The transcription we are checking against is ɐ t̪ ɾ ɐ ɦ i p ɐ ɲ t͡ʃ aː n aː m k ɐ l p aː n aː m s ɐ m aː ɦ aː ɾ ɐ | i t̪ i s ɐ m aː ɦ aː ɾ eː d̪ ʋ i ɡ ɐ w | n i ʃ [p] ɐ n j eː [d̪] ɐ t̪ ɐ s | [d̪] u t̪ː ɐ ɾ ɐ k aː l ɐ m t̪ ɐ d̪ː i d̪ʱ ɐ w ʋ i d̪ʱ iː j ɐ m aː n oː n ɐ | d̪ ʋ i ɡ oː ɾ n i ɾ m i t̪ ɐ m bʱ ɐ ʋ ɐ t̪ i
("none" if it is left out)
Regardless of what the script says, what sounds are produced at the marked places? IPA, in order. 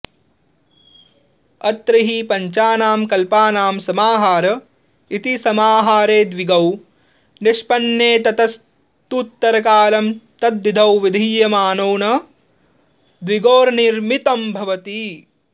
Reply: p, t̪, t̪

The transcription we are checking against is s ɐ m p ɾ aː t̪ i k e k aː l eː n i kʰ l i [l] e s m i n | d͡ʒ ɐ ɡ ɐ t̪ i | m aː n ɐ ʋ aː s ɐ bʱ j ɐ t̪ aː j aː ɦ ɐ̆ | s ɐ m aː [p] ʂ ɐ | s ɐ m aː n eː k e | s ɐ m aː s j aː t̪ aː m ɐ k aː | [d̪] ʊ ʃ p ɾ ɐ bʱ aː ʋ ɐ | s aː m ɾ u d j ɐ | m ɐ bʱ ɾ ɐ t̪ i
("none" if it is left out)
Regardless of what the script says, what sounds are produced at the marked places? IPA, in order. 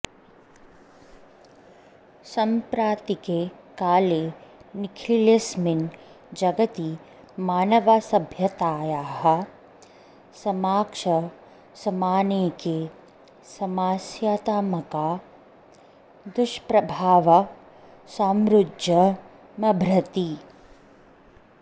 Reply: l, k, d̪

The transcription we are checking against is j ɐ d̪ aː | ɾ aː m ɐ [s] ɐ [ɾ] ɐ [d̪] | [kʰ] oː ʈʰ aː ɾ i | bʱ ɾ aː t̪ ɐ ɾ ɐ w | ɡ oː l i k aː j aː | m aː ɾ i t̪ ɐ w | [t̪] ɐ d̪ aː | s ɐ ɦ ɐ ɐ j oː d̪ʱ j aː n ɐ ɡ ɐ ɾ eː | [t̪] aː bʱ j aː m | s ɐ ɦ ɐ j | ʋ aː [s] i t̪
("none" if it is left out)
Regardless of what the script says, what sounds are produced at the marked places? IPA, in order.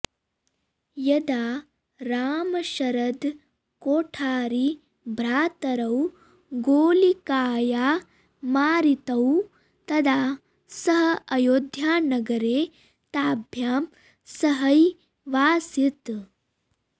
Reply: ʃ, ɾ, d̪, k, t̪, t̪, s

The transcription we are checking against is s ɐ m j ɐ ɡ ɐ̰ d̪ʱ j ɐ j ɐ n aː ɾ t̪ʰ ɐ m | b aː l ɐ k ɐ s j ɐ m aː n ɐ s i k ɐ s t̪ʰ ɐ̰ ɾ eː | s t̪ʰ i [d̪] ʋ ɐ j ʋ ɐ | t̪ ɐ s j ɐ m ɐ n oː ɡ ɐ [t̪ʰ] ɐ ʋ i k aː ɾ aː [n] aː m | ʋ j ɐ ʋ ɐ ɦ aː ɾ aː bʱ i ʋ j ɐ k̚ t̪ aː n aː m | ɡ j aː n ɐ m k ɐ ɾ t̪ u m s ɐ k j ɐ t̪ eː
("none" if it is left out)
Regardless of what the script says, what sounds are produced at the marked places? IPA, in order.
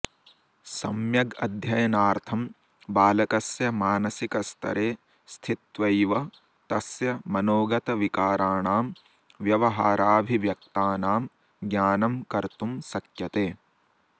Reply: t̪, t̪, ɳ

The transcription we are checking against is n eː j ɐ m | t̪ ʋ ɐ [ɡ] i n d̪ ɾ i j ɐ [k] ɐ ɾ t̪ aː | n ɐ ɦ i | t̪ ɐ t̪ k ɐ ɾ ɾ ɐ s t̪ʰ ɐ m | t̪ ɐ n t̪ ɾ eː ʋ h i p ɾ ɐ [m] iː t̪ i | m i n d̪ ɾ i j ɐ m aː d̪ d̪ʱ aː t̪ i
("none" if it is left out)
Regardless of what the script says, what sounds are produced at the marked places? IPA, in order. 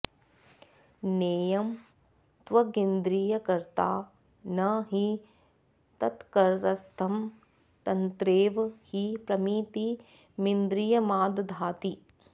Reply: ɡ, k, m

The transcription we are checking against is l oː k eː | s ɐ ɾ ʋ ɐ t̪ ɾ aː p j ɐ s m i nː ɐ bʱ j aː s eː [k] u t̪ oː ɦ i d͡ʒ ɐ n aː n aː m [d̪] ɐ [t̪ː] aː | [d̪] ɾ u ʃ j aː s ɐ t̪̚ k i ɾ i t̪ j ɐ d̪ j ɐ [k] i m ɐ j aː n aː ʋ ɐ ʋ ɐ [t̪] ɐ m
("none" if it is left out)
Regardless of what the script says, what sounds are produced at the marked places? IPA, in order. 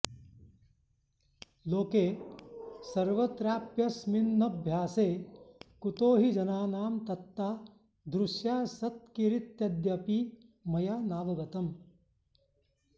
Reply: k, t̪, t̪ː, d̪, p, t̪

